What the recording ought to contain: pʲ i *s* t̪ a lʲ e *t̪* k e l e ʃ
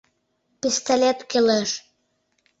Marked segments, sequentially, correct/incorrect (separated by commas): correct, correct